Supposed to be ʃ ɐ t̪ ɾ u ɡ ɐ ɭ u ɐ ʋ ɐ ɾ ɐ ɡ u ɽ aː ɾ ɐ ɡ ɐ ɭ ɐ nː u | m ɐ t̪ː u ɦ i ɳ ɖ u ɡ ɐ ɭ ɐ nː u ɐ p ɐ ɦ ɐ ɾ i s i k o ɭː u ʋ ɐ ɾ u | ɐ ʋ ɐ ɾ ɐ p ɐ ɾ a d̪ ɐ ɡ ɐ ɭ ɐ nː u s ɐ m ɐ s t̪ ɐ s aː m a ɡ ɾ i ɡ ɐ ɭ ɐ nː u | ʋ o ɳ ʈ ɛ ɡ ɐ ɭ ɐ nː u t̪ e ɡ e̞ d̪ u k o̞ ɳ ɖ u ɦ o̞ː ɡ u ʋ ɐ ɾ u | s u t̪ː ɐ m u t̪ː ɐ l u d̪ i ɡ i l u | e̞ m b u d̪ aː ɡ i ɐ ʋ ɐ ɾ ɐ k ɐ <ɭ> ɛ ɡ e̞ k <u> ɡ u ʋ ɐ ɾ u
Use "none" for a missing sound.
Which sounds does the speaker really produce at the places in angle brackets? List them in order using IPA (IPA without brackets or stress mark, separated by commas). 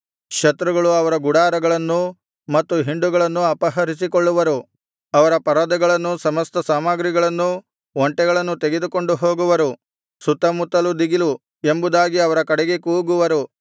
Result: ɽ, uː